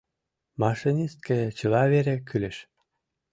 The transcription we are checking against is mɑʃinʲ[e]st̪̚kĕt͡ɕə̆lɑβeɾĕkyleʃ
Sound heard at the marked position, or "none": i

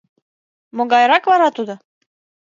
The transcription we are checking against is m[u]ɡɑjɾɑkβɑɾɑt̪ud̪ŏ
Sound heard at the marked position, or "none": o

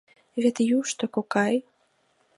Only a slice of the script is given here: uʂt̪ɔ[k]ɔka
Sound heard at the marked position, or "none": k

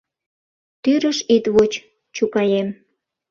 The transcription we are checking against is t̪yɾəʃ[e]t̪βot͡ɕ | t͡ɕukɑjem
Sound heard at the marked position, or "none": i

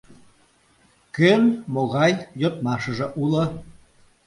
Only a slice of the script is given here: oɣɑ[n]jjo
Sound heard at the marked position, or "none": none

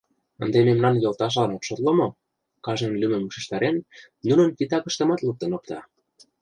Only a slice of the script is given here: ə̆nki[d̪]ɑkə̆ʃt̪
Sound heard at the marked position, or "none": t̪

